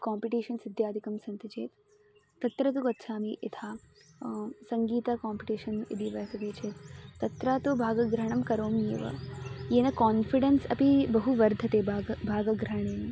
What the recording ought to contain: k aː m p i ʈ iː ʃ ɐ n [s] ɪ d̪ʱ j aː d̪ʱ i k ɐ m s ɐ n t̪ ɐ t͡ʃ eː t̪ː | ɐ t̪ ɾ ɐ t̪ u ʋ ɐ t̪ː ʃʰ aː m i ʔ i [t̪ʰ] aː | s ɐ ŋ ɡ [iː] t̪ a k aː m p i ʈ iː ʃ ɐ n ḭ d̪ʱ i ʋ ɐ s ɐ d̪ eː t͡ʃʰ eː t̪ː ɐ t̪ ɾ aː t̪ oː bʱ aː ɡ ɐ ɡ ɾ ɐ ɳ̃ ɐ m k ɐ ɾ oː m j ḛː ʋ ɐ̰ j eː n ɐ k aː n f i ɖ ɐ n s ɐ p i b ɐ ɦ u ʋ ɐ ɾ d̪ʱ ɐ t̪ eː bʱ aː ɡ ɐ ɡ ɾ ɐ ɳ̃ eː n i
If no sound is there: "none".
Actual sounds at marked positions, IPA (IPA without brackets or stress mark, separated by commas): s, t̪ʰ, iː